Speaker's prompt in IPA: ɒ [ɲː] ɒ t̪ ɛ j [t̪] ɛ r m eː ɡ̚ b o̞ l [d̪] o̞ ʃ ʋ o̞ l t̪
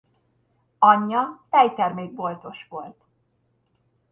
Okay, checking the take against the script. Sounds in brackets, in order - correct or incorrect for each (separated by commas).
correct, correct, incorrect